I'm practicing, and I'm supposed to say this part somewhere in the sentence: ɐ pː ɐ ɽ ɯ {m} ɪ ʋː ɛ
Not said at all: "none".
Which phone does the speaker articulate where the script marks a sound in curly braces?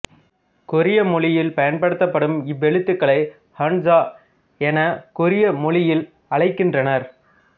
m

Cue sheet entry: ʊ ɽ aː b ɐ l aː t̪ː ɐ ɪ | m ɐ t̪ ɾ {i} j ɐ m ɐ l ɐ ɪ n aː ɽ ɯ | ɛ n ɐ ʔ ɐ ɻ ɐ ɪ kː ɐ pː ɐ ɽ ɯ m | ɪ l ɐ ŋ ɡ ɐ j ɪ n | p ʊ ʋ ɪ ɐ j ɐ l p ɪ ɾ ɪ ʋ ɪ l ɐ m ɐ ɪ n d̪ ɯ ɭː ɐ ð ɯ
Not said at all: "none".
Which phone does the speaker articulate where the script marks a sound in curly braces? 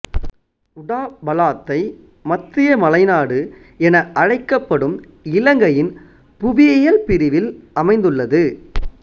ɪ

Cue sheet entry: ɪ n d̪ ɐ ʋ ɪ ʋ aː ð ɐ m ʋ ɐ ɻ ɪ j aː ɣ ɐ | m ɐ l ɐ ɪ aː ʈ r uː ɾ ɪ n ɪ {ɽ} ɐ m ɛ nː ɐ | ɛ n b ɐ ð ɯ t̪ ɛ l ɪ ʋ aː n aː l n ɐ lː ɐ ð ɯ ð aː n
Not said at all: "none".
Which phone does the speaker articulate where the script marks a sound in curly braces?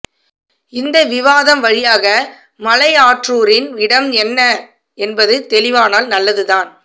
ɽ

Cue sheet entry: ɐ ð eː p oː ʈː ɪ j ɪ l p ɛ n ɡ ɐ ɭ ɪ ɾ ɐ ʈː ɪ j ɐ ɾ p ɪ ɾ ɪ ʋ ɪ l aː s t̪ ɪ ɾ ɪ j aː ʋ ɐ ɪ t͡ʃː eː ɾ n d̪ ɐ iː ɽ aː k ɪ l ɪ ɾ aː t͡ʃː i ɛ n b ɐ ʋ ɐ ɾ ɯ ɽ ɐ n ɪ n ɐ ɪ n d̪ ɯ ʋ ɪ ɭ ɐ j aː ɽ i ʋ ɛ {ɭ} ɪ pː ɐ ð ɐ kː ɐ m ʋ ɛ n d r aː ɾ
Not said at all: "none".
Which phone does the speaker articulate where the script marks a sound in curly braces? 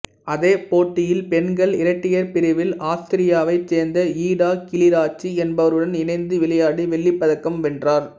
ɭː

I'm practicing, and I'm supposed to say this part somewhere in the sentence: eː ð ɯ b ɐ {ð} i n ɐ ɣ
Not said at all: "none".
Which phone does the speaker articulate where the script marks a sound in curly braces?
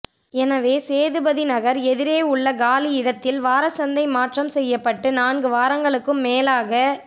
ð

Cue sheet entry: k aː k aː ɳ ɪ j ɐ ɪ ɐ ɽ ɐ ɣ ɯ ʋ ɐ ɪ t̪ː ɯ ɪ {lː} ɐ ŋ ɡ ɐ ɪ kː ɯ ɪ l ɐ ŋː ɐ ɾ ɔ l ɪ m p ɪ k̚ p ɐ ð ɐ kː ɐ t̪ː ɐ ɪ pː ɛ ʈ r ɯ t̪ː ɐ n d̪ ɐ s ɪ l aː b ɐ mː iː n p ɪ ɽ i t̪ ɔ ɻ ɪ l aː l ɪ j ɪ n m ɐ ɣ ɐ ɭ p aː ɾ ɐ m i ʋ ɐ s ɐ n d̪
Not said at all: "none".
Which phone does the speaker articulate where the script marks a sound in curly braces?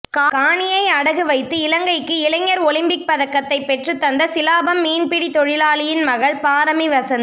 l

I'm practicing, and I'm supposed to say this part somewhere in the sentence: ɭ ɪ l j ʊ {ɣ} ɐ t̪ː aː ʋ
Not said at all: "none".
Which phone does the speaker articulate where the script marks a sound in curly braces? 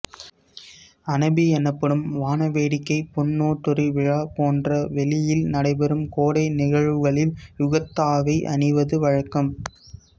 ɣ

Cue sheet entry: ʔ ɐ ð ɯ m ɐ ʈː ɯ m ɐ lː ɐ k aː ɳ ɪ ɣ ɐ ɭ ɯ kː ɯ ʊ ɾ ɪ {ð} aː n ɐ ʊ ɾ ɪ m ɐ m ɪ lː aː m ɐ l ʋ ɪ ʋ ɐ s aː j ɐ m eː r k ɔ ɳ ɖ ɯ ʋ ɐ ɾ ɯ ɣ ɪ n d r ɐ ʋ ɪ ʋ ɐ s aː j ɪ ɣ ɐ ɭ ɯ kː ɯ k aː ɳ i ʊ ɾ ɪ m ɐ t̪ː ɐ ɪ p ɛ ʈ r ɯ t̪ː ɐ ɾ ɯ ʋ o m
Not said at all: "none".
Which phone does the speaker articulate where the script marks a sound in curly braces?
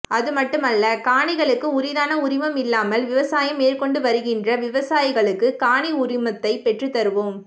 ð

